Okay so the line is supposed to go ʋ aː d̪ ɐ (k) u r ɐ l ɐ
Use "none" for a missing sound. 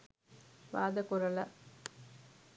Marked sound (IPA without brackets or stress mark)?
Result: k